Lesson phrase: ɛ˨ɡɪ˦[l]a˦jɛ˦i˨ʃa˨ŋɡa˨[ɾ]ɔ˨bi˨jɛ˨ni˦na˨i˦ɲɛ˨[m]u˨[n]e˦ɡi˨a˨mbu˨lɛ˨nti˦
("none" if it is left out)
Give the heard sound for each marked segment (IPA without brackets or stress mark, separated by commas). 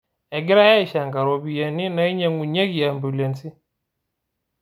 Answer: ɾ, ɾ, ŋ, ɲ